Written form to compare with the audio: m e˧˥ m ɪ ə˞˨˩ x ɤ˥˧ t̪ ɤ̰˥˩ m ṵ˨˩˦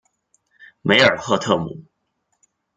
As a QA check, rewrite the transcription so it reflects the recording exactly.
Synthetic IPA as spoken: m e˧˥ ɪ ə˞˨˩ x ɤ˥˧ t̪ʰ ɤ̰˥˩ m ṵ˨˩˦

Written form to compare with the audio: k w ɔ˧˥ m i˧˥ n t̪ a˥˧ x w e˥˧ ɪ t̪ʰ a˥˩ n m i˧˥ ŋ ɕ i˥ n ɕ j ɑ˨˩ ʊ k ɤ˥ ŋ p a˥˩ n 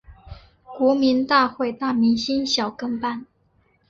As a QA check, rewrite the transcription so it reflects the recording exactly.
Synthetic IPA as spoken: k w ɔ˧˥ m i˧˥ n t̪ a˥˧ x w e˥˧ ɪ t̪ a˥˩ m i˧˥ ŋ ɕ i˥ n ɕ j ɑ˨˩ ʊ k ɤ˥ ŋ p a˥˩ n

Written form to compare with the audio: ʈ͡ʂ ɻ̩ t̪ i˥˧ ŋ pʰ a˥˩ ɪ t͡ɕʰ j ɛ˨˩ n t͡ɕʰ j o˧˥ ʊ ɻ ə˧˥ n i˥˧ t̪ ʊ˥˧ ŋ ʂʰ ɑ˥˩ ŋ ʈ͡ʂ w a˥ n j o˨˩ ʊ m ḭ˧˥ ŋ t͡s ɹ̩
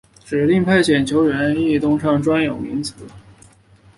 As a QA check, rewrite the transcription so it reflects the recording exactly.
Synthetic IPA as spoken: ʈ͡ʂ ɻ̩ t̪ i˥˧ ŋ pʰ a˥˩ ɪ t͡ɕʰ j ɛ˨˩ n t͡ɕʰ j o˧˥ ʊ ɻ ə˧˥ n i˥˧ t̪ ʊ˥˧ ŋ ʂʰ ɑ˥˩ ŋ ʈ͡ʂ w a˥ n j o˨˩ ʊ m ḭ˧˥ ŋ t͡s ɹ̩

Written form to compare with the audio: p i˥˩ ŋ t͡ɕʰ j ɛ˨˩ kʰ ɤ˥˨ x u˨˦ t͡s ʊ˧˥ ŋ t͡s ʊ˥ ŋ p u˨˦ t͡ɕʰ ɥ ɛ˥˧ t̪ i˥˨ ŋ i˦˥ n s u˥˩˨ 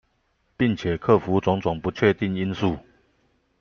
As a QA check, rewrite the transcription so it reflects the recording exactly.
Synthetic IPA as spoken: p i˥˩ ŋ t͡ɕʰ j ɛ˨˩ kʰ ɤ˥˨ f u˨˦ t͡s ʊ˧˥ ŋ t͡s ʊ˨˩ ŋ p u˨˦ t͡ɕʰ ɥ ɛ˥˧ t̪ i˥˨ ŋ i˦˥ n s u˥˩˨

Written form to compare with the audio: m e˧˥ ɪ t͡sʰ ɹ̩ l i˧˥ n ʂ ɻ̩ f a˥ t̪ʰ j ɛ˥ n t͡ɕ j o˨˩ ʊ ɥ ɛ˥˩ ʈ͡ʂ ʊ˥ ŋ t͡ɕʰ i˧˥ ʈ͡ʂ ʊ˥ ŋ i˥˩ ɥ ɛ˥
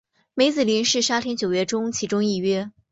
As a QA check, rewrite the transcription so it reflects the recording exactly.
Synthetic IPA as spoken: m e˧˥ ɪ t͡s ɹ̩ l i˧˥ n ʂ ɻ̩ ʂ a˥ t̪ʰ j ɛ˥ n t͡ɕ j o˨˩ ʊ ɥ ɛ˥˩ ʈ͡ʂ ʊ˥ ŋ t͡ɕʰ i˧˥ ʈ͡ʂ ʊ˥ ŋ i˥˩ ɥ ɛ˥

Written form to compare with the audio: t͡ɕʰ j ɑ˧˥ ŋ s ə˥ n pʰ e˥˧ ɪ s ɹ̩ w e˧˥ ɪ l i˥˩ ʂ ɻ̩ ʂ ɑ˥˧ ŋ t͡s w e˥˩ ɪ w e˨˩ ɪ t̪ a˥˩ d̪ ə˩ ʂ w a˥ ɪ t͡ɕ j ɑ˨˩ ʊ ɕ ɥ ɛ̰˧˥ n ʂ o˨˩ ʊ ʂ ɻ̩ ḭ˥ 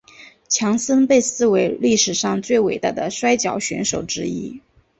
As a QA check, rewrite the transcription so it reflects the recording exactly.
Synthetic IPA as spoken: t͡ɕʰ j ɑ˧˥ ŋ s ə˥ n p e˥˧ ɪ s ɹ̩ w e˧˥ ɪ l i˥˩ ʂ ɻ̩ ʂ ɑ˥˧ ŋ t͡s w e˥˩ ɪ w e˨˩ ɪ t̪ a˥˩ d̪ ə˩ ʂ w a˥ ɪ t͡ɕ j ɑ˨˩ ʊ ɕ ɥ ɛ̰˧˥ n ʂ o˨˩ ʊ ʈ͡ʂ ɻ̩ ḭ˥

